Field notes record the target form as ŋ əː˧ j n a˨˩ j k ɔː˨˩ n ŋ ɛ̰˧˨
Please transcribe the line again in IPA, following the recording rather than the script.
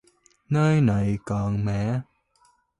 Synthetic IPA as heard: n əː˧ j n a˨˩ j k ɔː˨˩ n m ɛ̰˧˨